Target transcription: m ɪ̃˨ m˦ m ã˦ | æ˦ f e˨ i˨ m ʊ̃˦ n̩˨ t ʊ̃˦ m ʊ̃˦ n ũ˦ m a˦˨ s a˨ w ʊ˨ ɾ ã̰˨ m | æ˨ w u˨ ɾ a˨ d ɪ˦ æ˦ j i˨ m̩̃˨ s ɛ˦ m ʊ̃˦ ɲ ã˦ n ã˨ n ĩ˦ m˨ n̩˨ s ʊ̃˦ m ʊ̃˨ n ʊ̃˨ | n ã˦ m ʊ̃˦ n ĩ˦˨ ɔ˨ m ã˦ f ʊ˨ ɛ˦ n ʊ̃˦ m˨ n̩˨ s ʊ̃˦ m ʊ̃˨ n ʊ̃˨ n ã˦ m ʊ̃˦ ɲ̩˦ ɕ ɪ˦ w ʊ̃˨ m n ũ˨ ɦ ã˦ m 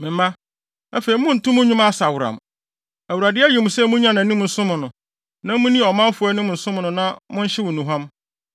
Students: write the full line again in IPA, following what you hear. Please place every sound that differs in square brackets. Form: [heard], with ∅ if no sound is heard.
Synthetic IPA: m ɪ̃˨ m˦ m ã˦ | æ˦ f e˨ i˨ m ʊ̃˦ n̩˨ t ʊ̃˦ m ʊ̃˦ [ɲ] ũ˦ m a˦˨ s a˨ w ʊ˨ ɾ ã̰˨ m | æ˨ w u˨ ɾ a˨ d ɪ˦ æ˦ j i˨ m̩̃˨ s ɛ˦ m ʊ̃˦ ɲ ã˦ n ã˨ n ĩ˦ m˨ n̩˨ s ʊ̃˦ m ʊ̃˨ n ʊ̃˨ | n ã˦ m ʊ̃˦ n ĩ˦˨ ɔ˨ m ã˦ f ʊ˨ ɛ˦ n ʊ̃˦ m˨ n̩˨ s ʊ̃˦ m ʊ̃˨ n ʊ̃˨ n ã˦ m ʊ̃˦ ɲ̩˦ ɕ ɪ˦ w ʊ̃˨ [∅] n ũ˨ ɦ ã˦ m